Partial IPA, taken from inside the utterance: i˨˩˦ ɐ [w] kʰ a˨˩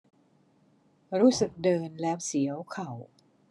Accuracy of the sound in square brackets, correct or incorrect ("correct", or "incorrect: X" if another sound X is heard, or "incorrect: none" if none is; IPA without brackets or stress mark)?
correct